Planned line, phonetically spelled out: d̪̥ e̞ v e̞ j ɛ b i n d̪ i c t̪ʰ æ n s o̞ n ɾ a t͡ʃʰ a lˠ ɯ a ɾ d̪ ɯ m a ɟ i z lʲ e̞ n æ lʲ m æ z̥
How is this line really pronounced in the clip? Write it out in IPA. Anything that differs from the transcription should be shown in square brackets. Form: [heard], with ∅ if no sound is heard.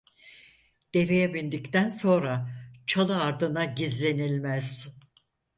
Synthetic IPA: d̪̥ e̞ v e̞ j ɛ b i n d̪ i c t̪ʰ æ n s o̞ n ɾ a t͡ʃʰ a lˠ ɯ a ɾ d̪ ɯ [n] a ɟ i z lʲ e̞ n [i] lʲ m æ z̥